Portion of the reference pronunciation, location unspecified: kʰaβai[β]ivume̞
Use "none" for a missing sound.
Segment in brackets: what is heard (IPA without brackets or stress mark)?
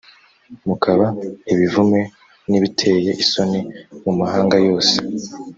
β